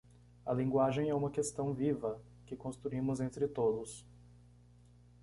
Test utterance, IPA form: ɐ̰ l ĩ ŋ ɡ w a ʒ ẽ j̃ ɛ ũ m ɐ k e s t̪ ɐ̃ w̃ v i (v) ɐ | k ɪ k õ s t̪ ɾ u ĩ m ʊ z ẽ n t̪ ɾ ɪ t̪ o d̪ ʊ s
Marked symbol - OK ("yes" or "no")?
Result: yes